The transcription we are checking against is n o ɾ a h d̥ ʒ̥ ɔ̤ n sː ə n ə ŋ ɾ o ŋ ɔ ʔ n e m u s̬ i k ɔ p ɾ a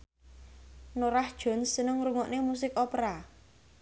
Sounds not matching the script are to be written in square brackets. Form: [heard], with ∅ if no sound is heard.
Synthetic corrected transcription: n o ɾ a h d̥ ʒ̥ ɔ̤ n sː ə n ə ŋ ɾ [u] ŋ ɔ ʔ n e m u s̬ [ɪ] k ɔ p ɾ a